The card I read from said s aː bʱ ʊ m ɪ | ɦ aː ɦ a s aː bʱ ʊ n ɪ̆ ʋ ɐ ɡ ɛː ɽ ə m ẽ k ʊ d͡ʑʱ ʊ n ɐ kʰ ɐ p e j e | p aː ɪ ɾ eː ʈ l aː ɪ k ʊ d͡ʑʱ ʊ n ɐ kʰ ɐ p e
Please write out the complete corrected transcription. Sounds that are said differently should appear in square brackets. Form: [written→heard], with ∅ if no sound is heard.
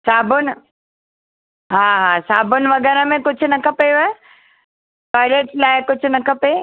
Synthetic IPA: s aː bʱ ʊ [m→n] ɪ | ɦ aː ɦ a s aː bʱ ʊ n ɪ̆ ʋ ɐ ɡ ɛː [ɽ→ɾ] ə m ẽ k ʊ d͡ʑʱ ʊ n ɐ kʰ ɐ p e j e | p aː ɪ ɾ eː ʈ l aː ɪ k ʊ d͡ʑʱ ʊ n ɐ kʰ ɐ p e